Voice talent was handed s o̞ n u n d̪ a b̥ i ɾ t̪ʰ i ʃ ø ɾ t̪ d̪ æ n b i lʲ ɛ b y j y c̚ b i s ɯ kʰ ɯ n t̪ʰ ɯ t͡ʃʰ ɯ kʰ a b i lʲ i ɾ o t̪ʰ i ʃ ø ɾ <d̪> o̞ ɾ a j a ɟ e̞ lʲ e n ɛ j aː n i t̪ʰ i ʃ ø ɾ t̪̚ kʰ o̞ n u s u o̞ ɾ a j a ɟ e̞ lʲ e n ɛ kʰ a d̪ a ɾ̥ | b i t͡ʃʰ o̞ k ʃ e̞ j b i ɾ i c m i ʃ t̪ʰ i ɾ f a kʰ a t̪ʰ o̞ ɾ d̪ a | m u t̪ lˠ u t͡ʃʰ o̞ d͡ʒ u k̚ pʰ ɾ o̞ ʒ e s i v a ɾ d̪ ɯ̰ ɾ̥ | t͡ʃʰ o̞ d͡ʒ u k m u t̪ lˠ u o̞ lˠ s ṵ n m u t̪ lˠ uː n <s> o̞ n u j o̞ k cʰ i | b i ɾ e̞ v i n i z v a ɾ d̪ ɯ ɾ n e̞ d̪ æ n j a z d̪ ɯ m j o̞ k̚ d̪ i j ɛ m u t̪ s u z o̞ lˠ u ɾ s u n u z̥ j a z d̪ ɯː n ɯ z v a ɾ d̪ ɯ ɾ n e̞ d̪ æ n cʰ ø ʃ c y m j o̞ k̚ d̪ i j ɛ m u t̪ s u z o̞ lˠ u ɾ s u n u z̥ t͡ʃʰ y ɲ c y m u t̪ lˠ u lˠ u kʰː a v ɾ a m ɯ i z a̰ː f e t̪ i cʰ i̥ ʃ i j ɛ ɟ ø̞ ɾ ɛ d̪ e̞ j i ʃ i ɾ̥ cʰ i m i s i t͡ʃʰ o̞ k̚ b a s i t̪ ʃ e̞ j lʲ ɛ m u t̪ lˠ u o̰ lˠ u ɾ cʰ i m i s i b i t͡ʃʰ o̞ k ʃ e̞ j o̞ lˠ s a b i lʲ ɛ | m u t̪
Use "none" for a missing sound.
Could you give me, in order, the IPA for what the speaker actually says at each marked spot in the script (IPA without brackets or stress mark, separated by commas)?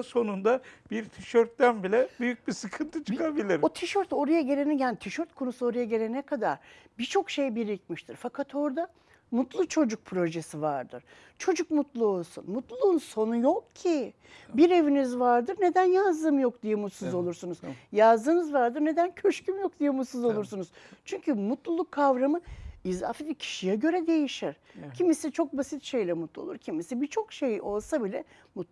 t̪, s